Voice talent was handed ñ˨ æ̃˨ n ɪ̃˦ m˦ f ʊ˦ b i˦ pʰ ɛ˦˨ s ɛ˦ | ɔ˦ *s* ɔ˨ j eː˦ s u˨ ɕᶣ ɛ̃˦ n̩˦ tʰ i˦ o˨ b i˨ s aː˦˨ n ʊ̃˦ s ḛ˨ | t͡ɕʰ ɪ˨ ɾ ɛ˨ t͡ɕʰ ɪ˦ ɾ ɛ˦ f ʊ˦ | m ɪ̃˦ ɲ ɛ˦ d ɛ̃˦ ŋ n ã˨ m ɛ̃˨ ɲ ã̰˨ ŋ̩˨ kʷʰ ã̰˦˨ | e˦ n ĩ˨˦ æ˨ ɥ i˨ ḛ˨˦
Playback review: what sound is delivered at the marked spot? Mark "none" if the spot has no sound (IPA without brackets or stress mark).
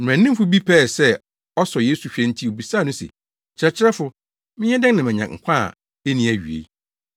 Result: s